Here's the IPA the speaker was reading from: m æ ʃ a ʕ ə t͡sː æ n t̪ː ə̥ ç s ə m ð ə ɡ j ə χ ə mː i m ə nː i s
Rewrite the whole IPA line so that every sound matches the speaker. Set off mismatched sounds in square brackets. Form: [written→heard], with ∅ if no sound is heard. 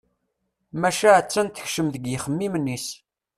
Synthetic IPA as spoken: m æ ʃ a ʕ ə t͡sː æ n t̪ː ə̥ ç [s→ʃ] ə m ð ə ɡ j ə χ ə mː i m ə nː i s